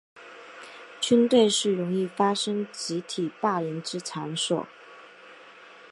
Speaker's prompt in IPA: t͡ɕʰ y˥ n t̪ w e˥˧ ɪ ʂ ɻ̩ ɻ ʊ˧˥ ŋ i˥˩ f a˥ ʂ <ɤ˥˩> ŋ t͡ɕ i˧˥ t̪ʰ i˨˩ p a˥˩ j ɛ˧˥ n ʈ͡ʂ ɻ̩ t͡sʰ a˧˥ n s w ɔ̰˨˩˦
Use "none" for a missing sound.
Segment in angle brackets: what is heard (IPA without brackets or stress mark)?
ɤ˥